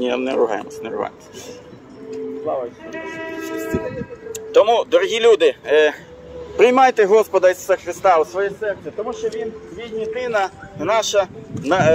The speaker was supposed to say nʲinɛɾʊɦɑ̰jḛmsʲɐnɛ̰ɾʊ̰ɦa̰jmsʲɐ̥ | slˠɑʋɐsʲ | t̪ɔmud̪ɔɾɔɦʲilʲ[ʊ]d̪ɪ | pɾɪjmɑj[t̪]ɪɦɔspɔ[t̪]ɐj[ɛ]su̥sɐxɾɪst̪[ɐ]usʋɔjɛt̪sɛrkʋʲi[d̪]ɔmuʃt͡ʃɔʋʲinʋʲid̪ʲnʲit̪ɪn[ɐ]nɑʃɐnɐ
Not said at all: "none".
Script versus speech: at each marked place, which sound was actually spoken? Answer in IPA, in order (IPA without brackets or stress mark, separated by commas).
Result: u, t̪, d̪, i, ɑ, t̪, ɐ